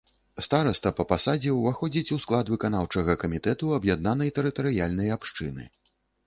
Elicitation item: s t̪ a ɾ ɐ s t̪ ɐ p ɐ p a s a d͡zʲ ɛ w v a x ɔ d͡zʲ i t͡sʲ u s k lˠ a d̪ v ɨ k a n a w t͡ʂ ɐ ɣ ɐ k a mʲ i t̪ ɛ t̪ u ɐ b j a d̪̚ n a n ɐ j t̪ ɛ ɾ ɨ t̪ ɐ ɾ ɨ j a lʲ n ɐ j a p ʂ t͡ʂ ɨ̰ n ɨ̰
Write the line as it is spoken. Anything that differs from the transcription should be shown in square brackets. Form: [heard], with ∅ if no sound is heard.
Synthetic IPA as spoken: s t̪ a ɾ ɐ s t̪ ɐ p ɐ p a s a d͡zʲ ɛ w v a x ɔ d͡zʲ i t͡sʲ u s k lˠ a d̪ v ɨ k a n a w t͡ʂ ɐ ɣ ɐ k [ɐ] mʲ i t̪ ɛ t̪ u ɐ b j a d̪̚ n a n ɐ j t̪ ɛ ɾ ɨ t̪ ɐ ɾ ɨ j a lʲ n ɐ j a p ʂ t͡ʂ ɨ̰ n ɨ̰